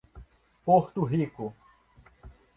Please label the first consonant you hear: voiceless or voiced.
voiceless